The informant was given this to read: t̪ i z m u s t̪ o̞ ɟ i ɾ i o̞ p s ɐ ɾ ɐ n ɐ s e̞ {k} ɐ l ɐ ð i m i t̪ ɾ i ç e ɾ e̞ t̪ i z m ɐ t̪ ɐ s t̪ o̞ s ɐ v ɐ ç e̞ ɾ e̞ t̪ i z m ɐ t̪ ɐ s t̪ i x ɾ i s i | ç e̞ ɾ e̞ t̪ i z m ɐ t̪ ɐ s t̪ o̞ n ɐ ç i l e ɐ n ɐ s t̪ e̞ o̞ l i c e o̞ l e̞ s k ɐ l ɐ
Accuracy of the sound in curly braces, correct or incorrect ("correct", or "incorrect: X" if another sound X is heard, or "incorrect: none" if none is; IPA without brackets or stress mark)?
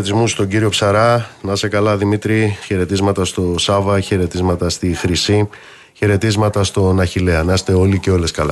correct